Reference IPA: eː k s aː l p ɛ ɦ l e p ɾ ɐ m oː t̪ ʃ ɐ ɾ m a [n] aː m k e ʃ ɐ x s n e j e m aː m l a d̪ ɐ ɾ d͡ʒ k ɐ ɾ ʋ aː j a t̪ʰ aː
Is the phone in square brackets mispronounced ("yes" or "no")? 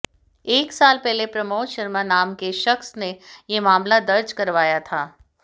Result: no